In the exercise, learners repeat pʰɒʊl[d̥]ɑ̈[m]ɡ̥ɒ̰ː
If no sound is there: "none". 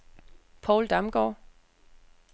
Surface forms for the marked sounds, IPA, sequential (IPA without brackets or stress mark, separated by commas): d̥, m